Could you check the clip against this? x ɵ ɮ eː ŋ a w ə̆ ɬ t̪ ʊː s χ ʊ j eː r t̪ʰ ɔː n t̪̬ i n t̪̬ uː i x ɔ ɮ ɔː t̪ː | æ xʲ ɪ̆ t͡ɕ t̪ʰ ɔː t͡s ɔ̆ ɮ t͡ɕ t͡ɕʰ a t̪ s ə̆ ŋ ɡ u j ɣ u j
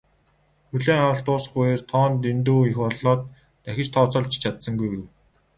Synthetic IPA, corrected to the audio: x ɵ ɮ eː ŋ a w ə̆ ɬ t̪ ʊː s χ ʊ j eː r t̪ʰ ɔː n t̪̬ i n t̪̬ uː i x ɔ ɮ ɔː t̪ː | æ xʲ ɪ̆ t͡ɕ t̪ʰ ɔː t͡s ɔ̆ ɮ t͡ɕ t͡ɕʰ a t̪ s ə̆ ŋ ɡ u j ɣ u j